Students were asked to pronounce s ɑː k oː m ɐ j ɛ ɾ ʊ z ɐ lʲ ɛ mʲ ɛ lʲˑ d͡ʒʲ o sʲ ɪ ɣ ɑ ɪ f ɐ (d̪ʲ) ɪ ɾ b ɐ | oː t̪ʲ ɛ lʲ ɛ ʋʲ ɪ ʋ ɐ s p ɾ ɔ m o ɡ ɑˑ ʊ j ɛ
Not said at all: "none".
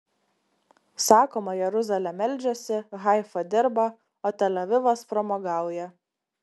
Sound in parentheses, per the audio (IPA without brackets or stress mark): d̪ʲ